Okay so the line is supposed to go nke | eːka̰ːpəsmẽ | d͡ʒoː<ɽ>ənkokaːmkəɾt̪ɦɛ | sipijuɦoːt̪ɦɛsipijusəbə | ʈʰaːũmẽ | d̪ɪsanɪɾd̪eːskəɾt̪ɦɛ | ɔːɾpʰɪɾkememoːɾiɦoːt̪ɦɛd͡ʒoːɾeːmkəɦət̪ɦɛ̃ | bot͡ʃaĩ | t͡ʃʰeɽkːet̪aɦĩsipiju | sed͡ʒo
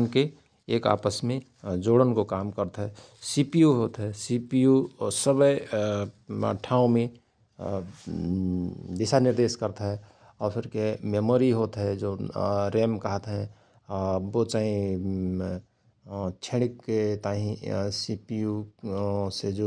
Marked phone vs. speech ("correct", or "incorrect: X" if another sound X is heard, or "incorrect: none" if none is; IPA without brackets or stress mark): correct